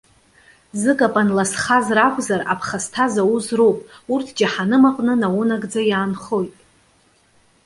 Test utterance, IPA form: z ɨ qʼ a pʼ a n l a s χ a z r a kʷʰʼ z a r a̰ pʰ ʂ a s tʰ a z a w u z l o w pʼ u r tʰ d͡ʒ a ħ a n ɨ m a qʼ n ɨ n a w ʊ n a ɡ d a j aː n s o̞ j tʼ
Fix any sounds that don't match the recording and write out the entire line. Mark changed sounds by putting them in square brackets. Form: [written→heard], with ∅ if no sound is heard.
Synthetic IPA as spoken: z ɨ [qʼ→kʼ] a pʼ a n l a s χ a z r a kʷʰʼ z a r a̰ pʰ [ʂ→χ] a s tʰ a z a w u z [l→r] o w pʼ u r tʰ d͡ʒ a ħ a n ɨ m a qʼ n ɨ n a w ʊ n a ɡ [d→d͡z] a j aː n [s→χ] o̞ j tʼ